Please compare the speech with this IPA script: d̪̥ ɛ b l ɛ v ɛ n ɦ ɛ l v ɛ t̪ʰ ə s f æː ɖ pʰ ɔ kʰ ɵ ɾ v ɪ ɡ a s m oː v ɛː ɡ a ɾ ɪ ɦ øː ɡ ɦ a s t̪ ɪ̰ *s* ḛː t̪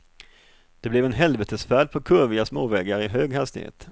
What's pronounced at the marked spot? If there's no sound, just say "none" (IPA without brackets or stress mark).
h